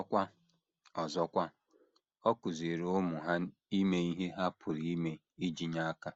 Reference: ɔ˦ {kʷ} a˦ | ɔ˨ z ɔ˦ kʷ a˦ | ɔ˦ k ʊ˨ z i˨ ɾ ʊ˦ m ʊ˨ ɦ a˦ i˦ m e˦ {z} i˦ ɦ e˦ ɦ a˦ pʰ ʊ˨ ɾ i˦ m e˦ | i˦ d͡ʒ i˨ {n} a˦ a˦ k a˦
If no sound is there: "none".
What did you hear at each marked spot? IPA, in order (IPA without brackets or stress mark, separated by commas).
kʷ, none, ɲ